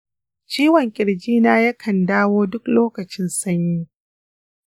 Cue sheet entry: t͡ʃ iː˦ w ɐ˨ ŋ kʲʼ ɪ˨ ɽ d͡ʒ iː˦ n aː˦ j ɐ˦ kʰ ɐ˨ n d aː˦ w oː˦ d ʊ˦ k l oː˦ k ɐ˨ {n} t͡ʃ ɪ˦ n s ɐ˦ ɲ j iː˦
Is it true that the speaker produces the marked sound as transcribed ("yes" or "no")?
no